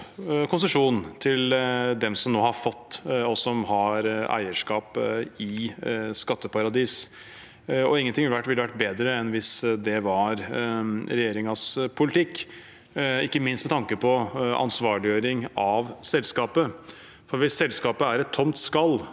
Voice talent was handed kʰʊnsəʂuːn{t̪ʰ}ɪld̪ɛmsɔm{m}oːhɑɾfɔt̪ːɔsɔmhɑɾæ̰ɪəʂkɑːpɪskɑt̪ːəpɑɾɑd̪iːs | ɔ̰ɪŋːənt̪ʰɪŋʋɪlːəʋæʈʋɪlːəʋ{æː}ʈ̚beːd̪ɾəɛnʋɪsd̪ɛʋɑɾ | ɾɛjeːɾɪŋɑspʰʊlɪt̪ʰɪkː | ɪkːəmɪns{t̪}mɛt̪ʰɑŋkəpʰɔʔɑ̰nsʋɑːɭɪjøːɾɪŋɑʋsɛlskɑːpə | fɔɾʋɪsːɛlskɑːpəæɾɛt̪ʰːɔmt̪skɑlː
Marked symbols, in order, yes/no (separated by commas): yes, no, no, yes